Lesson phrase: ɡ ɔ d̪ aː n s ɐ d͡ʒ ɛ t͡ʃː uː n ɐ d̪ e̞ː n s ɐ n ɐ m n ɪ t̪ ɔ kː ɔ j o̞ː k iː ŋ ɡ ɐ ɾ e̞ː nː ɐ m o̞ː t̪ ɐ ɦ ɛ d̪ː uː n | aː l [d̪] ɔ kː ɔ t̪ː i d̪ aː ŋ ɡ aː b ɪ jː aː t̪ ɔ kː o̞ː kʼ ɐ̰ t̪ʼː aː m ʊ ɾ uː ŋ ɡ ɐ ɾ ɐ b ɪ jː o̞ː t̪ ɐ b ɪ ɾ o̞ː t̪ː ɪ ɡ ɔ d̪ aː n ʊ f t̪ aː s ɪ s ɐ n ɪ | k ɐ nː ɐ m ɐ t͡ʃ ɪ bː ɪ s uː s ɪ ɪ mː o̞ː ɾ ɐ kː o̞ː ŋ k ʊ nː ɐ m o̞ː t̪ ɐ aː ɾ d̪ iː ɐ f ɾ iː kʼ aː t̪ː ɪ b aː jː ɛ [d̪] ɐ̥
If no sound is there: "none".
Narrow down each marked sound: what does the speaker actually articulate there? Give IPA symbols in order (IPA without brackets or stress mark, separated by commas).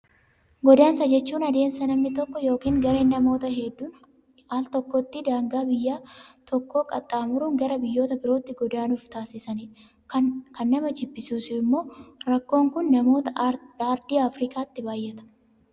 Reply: t̪, t̪